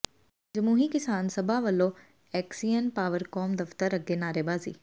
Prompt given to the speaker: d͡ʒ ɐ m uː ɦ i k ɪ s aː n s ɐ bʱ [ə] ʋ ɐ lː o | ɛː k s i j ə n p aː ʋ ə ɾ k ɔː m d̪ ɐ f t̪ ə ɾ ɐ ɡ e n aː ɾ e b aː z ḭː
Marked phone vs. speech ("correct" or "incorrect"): incorrect